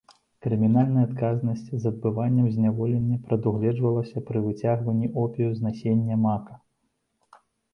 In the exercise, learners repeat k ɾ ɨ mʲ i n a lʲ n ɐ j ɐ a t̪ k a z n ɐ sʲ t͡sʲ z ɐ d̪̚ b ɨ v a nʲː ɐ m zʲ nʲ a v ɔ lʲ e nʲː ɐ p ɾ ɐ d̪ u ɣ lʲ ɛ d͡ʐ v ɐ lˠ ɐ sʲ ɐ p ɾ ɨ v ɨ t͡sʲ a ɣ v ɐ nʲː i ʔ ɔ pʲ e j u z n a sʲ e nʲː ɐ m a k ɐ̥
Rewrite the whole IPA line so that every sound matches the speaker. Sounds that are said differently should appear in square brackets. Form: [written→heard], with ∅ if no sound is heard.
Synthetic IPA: k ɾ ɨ mʲ i n a lʲ n ɐ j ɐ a t̪ k a z n ɐ sʲ t͡sʲ z ɐ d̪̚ b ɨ v a nʲː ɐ m zʲ nʲ a v ɔ lʲ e nʲː ɐ p ɾ ɐ d̪ u ɣ lʲ ɛ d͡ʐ v ɐ lˠ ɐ sʲ ɐ p ɾ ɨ v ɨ t͡sʲ a ɣ v ɐ nʲː i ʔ ɔ pʲ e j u z n a sʲ e nʲː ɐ m a k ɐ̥